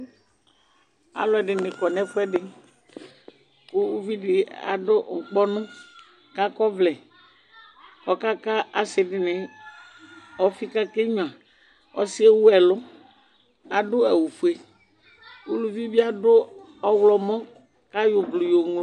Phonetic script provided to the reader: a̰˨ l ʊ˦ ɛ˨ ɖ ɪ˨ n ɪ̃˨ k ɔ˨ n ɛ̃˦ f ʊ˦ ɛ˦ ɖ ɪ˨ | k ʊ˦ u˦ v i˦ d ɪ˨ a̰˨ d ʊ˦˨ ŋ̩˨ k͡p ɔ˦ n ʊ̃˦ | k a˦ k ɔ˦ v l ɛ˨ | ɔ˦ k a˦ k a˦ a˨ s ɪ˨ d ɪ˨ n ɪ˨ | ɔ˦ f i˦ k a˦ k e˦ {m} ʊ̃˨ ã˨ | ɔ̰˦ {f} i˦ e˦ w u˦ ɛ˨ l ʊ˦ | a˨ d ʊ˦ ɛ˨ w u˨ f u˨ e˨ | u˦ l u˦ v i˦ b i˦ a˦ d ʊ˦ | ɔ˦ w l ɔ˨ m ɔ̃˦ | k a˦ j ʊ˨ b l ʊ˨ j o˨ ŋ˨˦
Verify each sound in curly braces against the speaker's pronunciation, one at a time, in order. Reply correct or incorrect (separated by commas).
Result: incorrect, incorrect